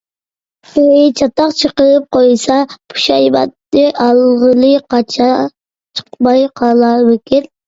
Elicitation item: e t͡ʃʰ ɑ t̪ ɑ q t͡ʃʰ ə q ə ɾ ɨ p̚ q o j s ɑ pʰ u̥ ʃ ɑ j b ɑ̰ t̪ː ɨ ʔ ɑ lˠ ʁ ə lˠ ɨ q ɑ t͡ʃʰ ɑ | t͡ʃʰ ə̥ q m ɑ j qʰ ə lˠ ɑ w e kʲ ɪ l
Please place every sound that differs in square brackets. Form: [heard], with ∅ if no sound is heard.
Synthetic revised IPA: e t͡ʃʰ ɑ t̪ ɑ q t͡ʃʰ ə q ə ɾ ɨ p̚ q o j s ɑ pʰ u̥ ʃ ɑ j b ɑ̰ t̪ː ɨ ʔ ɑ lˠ ʁ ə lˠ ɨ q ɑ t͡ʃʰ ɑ | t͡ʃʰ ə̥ q m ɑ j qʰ [ɑ] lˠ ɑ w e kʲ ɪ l